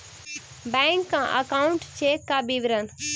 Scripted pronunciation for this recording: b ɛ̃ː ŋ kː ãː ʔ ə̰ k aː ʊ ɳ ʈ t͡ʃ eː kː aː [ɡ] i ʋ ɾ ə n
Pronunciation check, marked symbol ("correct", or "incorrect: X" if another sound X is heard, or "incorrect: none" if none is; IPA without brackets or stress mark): incorrect: b